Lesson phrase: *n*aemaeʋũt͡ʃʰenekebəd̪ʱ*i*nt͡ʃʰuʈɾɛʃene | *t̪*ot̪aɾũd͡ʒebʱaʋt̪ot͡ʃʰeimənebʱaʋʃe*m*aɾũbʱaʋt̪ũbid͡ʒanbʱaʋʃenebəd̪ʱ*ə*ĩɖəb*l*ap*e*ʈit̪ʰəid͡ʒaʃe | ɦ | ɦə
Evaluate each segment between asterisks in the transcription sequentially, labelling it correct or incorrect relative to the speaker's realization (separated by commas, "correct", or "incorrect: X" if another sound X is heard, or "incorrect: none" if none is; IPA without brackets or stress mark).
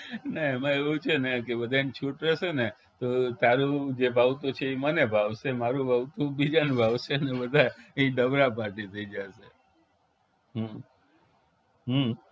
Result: correct, incorrect: a, correct, correct, incorrect: a, incorrect: ɾ, incorrect: a